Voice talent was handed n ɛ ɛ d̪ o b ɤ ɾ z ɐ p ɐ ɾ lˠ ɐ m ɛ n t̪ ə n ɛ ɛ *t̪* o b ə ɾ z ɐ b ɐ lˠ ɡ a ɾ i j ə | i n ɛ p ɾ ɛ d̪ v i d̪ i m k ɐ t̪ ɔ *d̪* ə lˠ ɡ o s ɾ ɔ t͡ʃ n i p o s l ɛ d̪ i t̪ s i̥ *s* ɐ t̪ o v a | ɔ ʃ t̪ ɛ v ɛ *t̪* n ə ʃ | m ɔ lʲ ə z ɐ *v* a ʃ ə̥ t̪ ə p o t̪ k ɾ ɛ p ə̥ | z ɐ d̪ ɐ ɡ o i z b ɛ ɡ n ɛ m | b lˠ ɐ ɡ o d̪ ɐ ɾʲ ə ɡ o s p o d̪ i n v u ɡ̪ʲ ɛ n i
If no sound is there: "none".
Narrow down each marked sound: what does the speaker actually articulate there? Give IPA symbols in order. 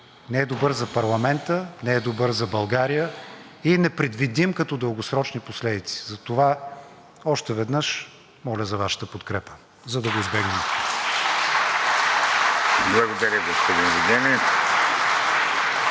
d̪, d̪, z, d̪, v

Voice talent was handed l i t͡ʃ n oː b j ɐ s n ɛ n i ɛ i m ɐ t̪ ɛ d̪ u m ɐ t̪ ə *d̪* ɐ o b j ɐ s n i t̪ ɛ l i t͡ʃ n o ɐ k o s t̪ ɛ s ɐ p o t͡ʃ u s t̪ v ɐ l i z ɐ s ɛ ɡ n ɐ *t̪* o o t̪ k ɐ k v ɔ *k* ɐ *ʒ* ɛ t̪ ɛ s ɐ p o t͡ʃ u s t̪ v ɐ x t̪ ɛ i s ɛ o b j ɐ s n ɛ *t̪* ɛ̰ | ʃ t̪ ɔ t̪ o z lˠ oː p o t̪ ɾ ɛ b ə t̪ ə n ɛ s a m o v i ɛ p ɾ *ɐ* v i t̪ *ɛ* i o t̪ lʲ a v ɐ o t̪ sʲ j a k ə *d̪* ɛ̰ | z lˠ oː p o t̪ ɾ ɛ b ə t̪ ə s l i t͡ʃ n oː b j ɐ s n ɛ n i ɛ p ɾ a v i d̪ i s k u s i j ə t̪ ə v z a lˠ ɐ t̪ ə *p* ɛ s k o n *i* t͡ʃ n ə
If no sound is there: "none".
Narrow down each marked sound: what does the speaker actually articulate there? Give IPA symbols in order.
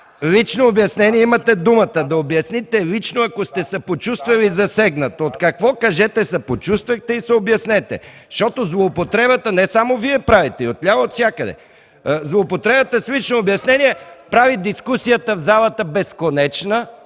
d̪, t̪, k, ʒ, t̪, a, ɛ, d̪, b, ɛ

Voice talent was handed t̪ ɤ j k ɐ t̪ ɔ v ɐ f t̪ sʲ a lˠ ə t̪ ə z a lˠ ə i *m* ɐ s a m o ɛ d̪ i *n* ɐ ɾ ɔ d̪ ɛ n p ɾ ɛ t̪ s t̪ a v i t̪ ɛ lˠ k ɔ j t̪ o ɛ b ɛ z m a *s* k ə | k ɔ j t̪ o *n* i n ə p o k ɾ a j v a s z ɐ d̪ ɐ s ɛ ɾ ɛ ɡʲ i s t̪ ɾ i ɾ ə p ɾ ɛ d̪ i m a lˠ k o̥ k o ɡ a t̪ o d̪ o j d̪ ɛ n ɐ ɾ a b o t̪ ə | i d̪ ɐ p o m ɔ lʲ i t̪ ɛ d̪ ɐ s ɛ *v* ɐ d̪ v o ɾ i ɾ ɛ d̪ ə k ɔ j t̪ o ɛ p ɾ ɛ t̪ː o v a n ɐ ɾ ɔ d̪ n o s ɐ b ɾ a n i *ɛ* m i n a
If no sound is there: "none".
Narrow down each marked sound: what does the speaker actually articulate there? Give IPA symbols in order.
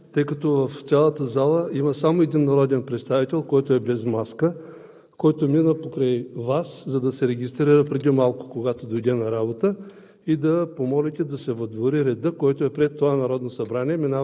m, nː, s, m, v, ɛ

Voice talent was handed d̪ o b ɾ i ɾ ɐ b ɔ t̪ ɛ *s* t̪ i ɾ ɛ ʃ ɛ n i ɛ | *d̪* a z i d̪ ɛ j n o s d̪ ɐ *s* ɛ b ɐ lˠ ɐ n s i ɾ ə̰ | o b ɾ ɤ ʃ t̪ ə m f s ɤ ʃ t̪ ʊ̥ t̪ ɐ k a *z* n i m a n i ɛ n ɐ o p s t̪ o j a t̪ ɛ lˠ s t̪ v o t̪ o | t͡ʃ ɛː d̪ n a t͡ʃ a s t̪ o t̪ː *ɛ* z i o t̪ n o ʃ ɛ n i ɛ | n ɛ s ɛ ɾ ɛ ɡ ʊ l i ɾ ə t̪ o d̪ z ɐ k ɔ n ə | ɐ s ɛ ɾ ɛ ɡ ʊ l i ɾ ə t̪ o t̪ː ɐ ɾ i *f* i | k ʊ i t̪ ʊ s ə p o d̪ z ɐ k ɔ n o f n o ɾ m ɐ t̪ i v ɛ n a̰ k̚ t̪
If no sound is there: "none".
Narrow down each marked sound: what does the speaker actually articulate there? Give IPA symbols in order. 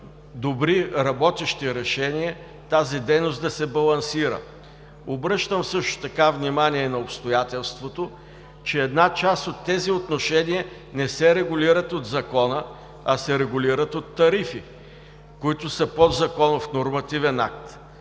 ʃ, t̪, s, v, ɛ, f

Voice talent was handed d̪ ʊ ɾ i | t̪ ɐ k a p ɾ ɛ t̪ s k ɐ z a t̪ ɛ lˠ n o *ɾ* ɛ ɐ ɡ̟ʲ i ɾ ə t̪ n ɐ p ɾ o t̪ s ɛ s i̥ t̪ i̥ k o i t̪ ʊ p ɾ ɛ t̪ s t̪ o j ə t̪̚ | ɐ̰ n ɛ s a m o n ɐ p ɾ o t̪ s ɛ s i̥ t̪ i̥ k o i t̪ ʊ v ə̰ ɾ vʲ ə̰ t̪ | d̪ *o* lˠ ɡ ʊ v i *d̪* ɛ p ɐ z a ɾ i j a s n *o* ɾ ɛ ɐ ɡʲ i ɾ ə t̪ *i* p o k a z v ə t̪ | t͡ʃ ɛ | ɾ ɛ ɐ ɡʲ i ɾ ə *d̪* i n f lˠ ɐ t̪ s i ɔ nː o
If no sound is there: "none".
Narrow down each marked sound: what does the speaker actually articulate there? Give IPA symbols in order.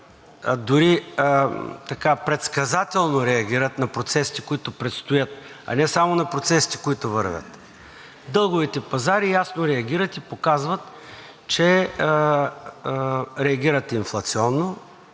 ɾ, ɤ, t̪, o, i, t̪

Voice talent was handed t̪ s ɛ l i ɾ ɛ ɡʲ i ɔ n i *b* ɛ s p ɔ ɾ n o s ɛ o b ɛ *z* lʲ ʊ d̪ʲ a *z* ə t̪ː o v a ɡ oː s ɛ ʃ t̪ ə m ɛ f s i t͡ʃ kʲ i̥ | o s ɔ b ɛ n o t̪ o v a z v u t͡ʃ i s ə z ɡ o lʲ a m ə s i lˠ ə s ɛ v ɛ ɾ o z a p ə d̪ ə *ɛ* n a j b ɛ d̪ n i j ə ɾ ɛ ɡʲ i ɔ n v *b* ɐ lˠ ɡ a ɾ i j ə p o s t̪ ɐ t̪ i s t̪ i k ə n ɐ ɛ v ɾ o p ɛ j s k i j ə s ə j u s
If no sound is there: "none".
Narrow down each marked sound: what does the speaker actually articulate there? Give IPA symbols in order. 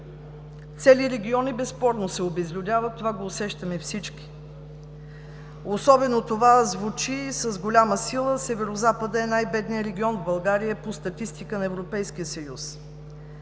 b, z, v, ɛ, b

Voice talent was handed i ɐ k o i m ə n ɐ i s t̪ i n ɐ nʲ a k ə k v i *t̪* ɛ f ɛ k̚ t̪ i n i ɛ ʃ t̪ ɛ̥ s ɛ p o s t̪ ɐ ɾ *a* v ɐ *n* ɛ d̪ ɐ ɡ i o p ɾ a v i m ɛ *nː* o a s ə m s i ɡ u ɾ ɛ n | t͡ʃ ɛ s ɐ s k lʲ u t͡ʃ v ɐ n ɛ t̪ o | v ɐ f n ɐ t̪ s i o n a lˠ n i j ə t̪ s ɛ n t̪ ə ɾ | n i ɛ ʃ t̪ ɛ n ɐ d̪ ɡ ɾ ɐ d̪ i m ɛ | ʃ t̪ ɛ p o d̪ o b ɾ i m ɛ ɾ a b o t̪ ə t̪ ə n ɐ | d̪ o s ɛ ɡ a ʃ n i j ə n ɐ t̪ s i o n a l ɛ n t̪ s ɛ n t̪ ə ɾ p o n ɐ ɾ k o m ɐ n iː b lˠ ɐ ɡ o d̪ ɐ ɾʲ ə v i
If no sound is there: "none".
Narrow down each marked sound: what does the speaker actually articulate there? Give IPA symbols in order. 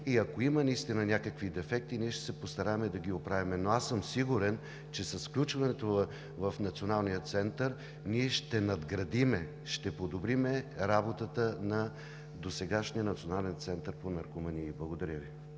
d̪, a, m, n

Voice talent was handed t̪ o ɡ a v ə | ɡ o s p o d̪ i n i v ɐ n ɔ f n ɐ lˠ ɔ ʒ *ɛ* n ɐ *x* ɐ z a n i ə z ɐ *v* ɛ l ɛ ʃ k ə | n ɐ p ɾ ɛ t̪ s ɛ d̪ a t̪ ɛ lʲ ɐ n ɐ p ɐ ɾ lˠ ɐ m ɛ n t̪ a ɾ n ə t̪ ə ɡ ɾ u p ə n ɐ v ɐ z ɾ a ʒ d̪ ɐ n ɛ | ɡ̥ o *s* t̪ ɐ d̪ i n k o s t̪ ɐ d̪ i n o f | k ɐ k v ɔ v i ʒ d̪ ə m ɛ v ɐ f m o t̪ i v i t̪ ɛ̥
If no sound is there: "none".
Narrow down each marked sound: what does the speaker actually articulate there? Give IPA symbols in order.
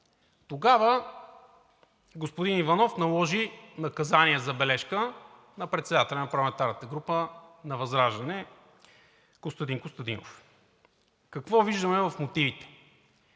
i, k, b, s

